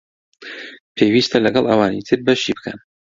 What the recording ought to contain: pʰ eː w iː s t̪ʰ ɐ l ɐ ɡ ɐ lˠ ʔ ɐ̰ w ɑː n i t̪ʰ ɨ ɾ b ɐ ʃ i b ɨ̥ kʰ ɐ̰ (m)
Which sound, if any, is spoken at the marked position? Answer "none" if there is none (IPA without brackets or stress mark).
n